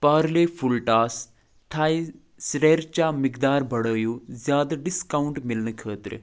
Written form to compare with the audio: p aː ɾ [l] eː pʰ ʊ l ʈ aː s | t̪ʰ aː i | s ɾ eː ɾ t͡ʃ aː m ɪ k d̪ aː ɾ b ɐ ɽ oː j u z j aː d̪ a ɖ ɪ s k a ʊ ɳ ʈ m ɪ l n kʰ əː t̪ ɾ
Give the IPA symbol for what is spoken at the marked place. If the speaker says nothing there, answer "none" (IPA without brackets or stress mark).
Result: l